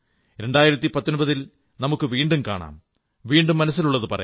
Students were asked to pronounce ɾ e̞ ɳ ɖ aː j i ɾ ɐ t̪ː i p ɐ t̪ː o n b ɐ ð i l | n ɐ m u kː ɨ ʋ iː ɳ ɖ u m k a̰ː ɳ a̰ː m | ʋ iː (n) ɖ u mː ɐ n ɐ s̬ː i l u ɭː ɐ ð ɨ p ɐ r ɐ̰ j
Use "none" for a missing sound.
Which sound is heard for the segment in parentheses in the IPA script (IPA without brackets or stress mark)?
ɳ